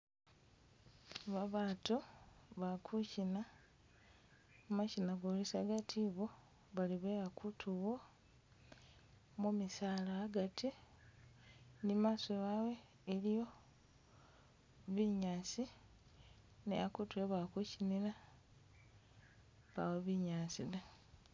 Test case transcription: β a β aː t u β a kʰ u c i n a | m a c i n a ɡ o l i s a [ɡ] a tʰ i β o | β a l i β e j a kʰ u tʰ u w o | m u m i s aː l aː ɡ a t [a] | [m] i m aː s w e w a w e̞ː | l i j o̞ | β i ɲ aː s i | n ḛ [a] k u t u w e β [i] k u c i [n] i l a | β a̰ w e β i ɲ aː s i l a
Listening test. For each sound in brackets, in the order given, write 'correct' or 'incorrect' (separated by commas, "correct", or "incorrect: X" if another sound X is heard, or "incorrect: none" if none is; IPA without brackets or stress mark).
correct, incorrect: i, incorrect: n, correct, incorrect: a, correct